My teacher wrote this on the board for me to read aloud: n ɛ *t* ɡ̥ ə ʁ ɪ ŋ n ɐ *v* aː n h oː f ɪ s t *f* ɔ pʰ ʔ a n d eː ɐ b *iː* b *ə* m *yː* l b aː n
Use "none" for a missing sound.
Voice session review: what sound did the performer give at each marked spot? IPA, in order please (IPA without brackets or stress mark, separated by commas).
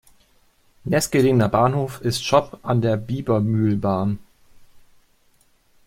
s, b, ʃ, iː, ɐ, yː